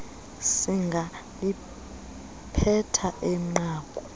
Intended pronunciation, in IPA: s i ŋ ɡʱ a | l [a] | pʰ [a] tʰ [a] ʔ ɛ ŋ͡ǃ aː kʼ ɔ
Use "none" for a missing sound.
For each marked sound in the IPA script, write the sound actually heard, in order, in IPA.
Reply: i, ɛ, a

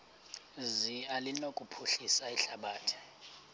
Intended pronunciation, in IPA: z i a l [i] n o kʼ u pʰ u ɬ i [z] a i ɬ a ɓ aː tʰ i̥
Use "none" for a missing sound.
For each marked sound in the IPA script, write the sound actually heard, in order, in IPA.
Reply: i, s

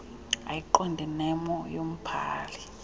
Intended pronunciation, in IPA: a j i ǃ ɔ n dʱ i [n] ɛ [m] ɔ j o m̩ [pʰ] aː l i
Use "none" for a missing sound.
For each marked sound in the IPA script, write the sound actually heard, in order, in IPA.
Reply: n, m, pʰ

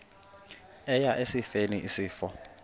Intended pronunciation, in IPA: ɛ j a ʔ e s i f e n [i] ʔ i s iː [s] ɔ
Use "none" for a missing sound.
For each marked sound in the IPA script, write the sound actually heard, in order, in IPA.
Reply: i, f

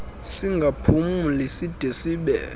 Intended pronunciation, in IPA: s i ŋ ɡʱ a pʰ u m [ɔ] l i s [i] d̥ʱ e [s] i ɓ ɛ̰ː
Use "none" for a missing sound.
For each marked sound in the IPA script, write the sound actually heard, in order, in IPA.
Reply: u, i, s

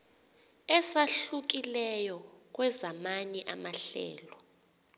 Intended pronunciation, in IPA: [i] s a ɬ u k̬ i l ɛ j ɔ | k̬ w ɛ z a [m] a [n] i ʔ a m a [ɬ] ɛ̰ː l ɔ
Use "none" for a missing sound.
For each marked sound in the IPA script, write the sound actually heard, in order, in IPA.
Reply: ɛ, m, n, ɬ

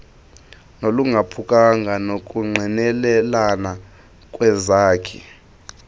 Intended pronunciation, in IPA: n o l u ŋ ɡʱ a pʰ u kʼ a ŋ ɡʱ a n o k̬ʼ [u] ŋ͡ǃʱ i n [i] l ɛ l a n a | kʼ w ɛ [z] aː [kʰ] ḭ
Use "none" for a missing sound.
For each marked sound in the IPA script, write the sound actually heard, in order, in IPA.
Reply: u, ɛ, z, kʰ

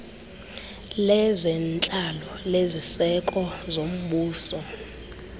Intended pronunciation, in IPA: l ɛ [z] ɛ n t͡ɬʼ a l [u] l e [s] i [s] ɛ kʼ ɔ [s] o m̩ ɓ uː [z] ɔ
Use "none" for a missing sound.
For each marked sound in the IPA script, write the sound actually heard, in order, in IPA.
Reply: z, ɔ, z, s, z, s

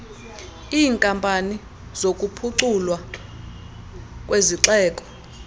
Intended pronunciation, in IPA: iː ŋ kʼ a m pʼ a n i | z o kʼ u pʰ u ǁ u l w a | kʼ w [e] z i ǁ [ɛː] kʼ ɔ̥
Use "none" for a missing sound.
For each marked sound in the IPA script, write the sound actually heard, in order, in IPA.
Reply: e, ɛː

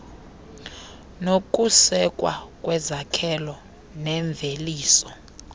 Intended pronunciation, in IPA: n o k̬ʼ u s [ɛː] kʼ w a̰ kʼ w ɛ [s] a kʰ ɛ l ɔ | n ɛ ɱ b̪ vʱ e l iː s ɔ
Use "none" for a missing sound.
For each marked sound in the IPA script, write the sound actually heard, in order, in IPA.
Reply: ɛ, z

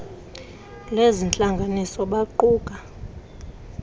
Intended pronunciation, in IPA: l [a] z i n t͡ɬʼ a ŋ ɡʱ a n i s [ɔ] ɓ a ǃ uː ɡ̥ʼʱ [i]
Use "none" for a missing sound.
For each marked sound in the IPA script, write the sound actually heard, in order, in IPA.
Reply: e, ɔ, a

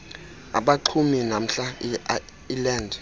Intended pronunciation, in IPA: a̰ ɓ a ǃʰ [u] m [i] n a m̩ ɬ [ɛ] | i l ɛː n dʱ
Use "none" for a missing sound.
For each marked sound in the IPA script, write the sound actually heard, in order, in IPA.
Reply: u, i, a

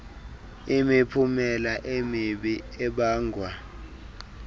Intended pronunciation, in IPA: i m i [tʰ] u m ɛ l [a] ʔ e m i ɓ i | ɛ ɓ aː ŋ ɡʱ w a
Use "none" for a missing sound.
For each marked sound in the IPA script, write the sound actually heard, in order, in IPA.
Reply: pʰ, a

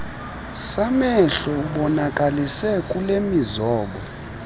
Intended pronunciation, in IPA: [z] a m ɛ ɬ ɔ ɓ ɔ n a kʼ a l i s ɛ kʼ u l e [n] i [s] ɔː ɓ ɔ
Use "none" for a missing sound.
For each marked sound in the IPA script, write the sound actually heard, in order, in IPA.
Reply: s, m, z

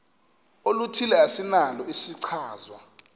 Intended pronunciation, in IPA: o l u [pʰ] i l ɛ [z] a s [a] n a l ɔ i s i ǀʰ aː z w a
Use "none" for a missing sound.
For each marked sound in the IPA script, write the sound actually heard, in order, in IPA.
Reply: tʰ, none, i

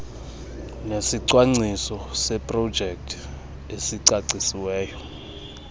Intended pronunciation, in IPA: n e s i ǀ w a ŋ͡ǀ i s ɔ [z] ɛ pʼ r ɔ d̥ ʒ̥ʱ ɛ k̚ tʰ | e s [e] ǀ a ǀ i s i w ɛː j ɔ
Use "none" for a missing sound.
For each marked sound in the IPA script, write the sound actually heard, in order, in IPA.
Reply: s, i

